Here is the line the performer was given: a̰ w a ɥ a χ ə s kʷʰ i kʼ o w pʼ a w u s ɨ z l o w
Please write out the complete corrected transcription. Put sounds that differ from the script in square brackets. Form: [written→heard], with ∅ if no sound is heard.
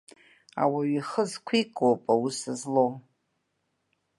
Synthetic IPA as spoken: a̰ w a ɥ [a→i] χ ə [s→z] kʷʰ i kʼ o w pʼ a w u s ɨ z l o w